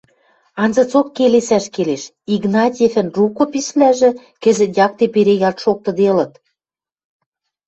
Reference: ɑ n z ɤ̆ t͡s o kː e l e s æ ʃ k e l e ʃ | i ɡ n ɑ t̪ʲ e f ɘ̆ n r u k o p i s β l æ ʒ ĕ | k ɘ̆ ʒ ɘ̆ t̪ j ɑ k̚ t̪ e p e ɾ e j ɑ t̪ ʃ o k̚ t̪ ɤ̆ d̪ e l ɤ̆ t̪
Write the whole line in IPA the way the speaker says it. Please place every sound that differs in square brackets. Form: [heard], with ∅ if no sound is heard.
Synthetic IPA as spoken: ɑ n z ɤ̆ t͡s o kː e l e s æ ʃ k e l e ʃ | i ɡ n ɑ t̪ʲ e f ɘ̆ n r u k o p i s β l æ ʒ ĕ | k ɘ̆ [z] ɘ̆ t̪ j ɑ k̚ t̪ e p e ɾ e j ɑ t̪ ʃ o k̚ t̪ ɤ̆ d̪ e l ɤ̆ t̪

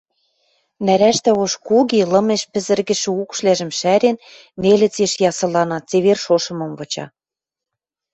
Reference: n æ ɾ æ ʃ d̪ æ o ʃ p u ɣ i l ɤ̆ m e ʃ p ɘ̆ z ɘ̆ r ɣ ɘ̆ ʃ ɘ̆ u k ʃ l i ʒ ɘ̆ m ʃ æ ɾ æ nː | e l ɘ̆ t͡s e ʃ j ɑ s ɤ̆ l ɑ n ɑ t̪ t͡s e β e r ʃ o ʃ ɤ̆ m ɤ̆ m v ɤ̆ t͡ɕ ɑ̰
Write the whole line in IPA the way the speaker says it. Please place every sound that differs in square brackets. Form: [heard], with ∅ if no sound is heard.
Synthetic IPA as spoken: n æ ɾ æ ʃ [t̪] æ o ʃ [k] u ɣ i l ɤ̆ m e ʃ p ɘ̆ z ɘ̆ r ɣ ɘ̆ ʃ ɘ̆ u k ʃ l [æ] ʒ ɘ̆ m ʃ æ ɾ [e] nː | e l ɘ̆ t͡s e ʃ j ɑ s ɤ̆ l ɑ n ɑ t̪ t͡s e β e r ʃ o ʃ ɤ̆ m ɤ̆ m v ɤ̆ t͡ɕ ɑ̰

